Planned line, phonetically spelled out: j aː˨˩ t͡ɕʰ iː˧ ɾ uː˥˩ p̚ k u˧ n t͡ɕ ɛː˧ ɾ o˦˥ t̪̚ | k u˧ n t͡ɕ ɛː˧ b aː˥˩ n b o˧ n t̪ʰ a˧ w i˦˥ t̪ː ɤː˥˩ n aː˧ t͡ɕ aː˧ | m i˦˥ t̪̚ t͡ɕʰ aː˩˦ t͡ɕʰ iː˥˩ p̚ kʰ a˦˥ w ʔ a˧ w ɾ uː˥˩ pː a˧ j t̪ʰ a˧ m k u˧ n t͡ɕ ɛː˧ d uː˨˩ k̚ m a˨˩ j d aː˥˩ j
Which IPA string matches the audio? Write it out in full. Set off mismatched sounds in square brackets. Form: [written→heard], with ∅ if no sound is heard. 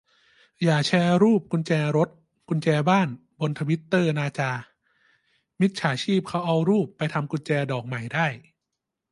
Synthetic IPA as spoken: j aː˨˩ t͡ɕʰ [iː˧→ɛː˧] ɾ uː˥˩ p̚ k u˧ n t͡ɕ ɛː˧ ɾ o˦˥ t̪̚ | k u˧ n t͡ɕ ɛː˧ b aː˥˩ n b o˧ n t̪ʰ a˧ w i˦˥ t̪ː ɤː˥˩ n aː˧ t͡ɕ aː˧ | m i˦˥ t̪̚ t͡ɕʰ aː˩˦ t͡ɕʰ iː˥˩ p̚ kʰ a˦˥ w ʔ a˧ w ɾ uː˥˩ pː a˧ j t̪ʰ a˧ m k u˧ n t͡ɕ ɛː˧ d [uː˨˩→ɔː˨˩] k̚ m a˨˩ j d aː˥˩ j